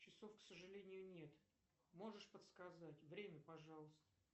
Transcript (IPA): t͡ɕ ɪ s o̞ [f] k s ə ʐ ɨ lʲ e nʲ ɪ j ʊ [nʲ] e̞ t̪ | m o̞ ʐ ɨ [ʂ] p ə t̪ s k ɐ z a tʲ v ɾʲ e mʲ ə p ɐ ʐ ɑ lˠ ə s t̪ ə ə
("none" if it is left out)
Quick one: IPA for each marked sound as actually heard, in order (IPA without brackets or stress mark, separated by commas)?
f, nʲ, ʂ